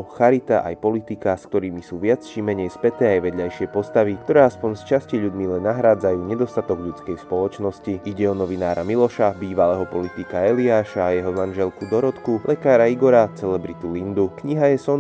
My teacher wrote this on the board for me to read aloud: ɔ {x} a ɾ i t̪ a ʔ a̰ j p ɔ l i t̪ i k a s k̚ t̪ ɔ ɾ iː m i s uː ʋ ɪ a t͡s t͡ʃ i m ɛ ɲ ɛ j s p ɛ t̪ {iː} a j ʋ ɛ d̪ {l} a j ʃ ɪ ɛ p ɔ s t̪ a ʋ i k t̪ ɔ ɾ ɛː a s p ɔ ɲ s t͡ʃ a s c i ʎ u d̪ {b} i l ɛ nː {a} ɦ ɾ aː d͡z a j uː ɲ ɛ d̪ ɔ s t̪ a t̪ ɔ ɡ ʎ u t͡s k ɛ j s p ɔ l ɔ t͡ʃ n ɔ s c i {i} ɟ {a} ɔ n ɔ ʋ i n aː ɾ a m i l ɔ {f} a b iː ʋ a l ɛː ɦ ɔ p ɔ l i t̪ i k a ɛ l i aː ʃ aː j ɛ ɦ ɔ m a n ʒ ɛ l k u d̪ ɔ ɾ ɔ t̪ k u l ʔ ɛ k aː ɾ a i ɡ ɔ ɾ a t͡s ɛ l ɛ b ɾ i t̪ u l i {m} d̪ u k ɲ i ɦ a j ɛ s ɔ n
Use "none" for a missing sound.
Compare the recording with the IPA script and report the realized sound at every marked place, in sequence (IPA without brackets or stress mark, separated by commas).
x, ɛː, ʎ, m, a, i, ɛ, ʃ, n